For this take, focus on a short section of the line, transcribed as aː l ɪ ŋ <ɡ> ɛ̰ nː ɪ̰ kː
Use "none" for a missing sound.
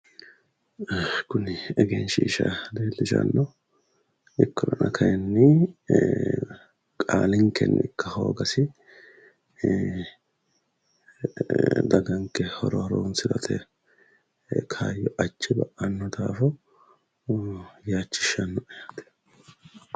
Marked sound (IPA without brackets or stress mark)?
k